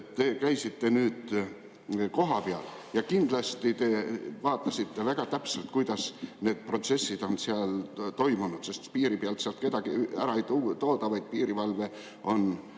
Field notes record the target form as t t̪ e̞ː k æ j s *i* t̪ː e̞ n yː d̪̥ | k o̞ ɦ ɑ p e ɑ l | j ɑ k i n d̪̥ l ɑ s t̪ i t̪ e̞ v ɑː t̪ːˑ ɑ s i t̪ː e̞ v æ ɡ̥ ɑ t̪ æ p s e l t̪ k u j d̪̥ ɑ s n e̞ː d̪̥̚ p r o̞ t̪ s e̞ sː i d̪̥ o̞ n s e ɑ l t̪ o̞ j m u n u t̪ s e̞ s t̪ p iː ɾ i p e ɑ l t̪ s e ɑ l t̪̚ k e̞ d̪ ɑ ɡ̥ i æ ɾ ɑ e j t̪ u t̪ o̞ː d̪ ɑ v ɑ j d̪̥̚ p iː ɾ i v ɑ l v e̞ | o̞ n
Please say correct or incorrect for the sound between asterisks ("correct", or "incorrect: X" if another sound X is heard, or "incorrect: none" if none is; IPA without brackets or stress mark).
correct